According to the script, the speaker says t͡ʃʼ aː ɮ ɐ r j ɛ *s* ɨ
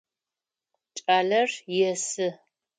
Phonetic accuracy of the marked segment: correct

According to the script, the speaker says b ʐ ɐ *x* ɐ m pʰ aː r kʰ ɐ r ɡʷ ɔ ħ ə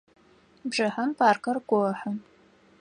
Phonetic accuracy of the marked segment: incorrect: ħ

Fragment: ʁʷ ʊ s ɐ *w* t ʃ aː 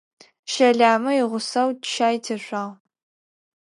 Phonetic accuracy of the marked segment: correct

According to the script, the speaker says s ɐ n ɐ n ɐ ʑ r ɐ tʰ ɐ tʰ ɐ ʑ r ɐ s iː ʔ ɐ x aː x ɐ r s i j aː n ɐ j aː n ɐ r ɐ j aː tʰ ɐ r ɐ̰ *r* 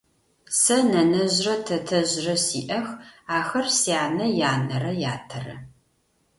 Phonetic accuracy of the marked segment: incorrect: none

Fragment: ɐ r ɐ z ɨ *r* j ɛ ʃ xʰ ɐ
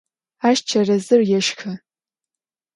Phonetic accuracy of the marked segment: correct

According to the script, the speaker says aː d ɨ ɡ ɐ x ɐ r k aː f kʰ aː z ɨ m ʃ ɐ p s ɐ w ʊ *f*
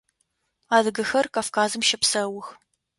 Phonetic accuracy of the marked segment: incorrect: x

